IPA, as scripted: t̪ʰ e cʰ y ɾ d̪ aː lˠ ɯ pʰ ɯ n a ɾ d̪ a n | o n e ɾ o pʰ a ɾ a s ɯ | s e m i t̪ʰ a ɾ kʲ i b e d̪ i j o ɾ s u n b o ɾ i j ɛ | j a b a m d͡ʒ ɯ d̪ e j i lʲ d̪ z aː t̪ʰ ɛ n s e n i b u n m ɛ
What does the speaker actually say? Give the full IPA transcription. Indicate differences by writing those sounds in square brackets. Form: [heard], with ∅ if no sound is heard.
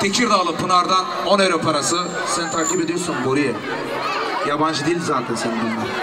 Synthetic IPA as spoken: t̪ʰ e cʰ [i] ɾ d̪ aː lˠ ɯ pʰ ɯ n a ɾ d̪ a n | o n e ɾ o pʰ a ɾ a s ɯ | s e [n] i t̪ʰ a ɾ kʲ i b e d̪ i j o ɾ s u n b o ɾ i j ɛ | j a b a [n] d͡ʒ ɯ d̪ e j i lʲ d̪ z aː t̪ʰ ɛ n s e n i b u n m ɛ